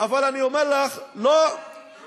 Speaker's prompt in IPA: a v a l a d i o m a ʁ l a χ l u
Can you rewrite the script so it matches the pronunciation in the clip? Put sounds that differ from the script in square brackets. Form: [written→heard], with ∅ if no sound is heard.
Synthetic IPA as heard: a v a l a [d→n] i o m [a→e] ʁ l a χ l [u→o]